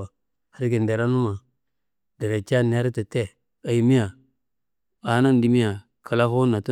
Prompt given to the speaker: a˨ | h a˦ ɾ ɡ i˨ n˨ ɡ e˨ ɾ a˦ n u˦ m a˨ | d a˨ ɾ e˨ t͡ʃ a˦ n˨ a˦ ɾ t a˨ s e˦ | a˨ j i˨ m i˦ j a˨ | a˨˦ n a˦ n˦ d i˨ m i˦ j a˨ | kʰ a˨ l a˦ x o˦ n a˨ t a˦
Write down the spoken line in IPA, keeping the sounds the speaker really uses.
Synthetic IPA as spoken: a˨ | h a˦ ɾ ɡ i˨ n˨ d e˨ ɾ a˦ n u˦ m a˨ | d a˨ ɾ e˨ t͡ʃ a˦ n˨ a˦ ɾ t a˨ t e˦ | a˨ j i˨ m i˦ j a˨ | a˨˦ n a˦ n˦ d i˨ m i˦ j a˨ | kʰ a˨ l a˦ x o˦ n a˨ t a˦

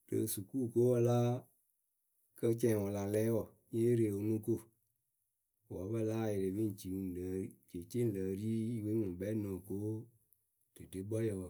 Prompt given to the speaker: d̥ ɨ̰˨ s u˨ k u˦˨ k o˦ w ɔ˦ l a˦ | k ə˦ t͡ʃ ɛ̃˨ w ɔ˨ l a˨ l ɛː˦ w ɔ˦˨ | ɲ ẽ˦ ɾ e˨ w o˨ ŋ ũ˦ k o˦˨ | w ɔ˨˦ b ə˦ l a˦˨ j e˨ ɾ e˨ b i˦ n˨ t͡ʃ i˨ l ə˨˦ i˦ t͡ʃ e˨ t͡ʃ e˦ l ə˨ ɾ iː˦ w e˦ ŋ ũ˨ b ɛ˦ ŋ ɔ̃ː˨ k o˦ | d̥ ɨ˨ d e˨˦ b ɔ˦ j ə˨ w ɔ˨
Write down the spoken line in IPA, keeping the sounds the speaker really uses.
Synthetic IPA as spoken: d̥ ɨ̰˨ s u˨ k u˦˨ k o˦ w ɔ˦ l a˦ | k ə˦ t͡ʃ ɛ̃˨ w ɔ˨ l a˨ l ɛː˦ w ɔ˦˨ | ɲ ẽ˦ ɾ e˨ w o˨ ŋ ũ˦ k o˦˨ | w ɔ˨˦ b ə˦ l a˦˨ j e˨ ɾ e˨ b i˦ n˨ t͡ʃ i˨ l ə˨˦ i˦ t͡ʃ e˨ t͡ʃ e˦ l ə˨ ɾ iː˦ w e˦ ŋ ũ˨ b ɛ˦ n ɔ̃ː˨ k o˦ | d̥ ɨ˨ d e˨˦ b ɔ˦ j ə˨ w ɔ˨

